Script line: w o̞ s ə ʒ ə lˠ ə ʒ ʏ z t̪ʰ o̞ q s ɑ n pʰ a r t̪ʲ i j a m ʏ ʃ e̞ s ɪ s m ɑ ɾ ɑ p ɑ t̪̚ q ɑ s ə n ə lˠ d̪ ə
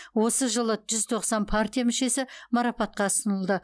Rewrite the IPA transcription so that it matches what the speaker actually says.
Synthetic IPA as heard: w o̞ s ə ʒ ə lˠ ə ʒ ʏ z t̪ʰ o̞ q s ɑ n pʰ a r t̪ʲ i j a m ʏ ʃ e̞ s ɪ m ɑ ɾ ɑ p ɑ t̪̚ q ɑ s ə n ə lˠ d̪ ə